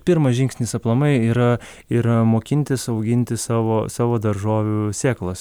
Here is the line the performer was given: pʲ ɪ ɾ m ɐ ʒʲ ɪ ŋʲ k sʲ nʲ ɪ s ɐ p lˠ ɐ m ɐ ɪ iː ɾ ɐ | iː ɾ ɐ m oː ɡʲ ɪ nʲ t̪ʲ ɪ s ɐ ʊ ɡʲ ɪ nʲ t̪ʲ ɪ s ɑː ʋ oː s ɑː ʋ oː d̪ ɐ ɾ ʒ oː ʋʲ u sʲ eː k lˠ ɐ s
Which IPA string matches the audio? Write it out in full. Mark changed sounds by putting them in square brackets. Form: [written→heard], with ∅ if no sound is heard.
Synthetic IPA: pʲ ɪ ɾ m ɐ ʒʲ ɪ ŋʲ k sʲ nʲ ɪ s ɐ p lˠ ɐ m ɐ ɪ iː ɾ ɐ | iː ɾ ɐ m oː [ɡʲ→kʲ] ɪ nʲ t̪ʲ ɪ s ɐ ʊ ɡʲ ɪ nʲ t̪ʲ ɪ s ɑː ʋ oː s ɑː ʋ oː d̪ ɐ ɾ ʒ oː ʋʲ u sʲ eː k lˠ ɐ s